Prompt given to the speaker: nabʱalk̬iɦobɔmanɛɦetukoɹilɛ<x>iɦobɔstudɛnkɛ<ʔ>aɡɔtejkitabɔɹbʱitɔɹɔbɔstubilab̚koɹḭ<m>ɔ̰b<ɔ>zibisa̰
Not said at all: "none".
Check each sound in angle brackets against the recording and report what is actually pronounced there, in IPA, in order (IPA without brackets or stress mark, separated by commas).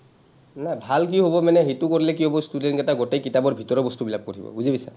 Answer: k, t, b, u